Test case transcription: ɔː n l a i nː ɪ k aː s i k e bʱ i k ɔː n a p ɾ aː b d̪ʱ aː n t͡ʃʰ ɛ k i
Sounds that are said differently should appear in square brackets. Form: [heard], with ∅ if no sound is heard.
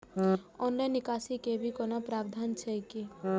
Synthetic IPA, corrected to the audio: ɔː n l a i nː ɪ k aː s i k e bʱ i k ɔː n a p ɾ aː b d̪ʱ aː n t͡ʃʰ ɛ k i